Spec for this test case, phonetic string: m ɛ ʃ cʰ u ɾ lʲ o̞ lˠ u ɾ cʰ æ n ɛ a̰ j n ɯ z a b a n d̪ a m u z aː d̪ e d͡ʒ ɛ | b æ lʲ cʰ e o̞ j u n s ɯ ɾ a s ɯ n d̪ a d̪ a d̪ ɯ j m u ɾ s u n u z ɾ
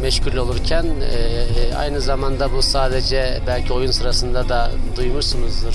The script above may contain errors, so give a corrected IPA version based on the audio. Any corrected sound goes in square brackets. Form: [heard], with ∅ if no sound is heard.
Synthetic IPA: m ɛ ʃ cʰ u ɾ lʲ o̞ lˠ u ɾ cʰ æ n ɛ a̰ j n ɯ z a [m] a n d̪ a [b] u [s] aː d̪ e d͡ʒ ɛ | b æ lʲ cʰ [i] o̞ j u n s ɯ ɾ a s ɯ n d̪ a d̪ a d̪ [u] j m u ɾ s u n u z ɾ